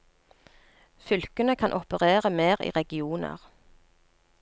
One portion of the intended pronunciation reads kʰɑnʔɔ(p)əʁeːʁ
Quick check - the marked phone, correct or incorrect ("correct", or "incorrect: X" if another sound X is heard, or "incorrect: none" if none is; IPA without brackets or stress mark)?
correct